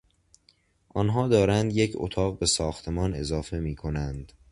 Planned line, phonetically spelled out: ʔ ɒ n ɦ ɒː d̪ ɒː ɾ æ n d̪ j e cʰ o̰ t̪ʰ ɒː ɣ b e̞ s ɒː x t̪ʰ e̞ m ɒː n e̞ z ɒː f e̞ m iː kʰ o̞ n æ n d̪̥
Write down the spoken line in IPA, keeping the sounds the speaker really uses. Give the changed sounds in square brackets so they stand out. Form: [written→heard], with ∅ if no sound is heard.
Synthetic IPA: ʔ ɒ n ɦ ɒː d̪ ɒː ɾ æ n d̪ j e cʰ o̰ t̪ʰ ɒː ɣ b e̞ s ɒː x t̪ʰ e̞ m ɒː n e̞ z ɒː f e̞ m iː kʰ o̞ n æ n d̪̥